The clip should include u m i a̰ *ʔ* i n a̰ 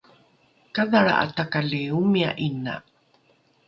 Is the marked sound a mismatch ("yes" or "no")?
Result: no